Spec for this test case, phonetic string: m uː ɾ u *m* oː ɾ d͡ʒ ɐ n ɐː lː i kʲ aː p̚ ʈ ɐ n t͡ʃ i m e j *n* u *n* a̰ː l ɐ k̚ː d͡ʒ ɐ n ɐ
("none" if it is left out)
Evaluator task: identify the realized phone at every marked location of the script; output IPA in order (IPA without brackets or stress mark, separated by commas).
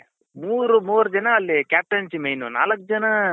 m, n, n